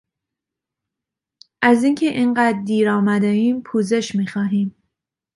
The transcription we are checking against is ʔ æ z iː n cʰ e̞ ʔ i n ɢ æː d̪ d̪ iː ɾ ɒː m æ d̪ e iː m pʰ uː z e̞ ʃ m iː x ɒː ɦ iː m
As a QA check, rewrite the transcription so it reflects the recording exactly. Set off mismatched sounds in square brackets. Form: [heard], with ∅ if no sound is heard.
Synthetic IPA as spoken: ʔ æ z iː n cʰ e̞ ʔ i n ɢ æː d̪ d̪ iː ɾ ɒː m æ d̪ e iː m pʰ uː z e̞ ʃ m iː x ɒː ɦ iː m